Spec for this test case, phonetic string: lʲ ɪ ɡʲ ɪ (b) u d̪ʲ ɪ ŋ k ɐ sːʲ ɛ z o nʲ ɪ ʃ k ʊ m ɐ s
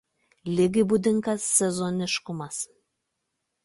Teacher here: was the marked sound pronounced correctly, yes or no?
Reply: yes